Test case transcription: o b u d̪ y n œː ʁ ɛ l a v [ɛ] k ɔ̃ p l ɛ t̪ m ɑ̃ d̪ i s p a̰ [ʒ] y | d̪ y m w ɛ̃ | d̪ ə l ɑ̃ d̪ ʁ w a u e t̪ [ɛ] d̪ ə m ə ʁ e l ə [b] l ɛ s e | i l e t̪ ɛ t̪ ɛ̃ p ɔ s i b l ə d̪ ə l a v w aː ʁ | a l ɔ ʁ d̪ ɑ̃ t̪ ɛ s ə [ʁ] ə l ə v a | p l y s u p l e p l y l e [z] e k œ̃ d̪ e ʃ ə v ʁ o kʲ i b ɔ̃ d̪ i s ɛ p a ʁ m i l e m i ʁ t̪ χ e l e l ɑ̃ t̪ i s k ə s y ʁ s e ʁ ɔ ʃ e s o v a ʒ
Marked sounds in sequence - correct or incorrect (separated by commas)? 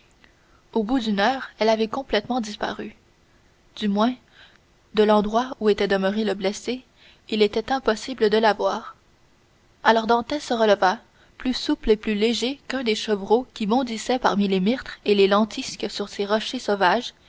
correct, incorrect, correct, correct, correct, incorrect